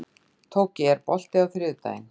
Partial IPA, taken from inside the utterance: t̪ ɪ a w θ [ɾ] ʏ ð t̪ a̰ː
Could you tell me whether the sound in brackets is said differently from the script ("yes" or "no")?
no